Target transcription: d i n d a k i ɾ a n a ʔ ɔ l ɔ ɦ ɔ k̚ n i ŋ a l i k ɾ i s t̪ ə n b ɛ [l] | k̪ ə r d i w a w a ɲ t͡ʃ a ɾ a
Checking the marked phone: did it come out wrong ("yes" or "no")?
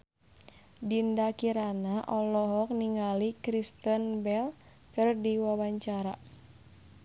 no